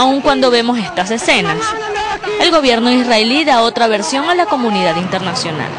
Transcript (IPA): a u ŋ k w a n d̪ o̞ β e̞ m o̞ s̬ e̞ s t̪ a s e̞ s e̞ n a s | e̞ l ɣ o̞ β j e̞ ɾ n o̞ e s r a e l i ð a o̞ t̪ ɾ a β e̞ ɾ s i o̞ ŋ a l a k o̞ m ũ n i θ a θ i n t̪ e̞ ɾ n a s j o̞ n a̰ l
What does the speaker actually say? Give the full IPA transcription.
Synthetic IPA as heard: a u ŋ k w a n d̪ o̞ β e̞ m o̞ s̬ e̞ s t̪ a s e̞ s e̞ n a s | e̞ l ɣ o̞ β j e̞ ɾ n o̞ i s r a e l i ð a o̞ t̪ ɾ a β e̞ ɾ s j o̞ ŋ a l a k o̞ m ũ n i ð a ð i n t̪ e̞ ɾ n a s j o̞ n a̰ l